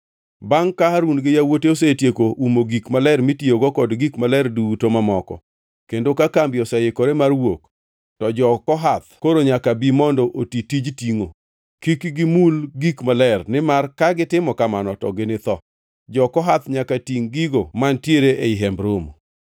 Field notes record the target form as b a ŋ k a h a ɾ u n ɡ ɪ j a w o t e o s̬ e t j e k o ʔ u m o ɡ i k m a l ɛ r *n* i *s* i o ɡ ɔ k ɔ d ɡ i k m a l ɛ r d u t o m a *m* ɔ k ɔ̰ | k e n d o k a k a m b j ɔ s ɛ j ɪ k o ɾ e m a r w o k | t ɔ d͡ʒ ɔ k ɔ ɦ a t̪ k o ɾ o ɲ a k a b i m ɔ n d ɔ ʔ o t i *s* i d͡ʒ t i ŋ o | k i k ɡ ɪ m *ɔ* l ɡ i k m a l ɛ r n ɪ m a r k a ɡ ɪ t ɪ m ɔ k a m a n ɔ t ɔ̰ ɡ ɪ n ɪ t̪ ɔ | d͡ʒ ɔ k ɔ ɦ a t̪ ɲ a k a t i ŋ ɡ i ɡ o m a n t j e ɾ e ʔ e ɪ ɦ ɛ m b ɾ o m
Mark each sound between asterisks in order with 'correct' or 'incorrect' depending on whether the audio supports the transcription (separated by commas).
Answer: incorrect, incorrect, correct, incorrect, incorrect